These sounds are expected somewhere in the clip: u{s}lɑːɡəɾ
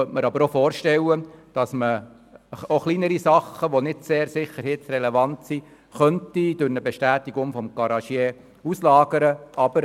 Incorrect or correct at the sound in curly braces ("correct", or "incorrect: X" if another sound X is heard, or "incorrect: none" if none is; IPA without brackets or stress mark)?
correct